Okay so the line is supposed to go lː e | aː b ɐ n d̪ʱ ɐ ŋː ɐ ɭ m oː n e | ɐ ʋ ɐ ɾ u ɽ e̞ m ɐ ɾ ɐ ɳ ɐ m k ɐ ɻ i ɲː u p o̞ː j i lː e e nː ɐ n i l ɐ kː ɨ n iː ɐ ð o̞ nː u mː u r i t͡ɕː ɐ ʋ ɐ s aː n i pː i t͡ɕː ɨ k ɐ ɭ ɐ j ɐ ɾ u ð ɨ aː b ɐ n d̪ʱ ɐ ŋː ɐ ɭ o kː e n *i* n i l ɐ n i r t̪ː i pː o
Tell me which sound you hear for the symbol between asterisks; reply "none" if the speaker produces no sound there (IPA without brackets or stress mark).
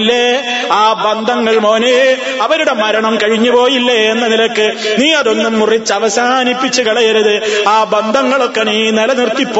iː